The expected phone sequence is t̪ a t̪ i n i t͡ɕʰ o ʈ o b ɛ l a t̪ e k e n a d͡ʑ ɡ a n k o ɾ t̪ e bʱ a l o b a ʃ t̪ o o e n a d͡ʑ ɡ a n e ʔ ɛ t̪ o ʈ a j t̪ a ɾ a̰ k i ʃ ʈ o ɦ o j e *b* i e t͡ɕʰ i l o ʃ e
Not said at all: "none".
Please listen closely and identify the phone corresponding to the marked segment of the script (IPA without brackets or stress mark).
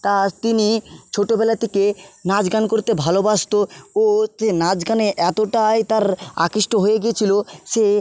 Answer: ɡ